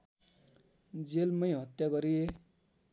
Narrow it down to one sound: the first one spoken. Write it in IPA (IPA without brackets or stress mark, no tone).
d͡z